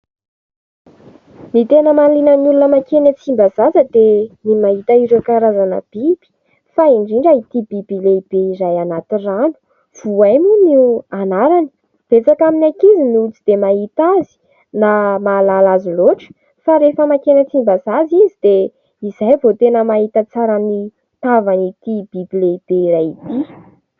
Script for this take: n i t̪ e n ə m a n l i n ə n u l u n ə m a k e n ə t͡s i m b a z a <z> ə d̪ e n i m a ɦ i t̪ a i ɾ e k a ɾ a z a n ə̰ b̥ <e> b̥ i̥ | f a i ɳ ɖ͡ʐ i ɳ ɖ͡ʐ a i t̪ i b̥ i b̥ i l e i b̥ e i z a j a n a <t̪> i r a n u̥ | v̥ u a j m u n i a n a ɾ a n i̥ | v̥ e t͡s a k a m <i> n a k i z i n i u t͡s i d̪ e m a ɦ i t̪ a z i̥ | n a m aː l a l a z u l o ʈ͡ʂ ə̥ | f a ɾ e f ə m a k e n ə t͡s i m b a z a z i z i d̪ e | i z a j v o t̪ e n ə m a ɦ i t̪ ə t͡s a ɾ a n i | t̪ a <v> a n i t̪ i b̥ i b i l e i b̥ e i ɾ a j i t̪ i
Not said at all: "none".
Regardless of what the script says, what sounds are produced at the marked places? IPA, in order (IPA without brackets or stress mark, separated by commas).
z, i, t̪, i, v